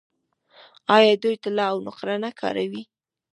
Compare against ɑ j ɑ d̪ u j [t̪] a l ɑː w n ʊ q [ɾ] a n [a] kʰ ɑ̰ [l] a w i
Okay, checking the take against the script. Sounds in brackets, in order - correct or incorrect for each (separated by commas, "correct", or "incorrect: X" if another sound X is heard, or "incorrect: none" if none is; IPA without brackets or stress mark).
correct, correct, correct, incorrect: ɾ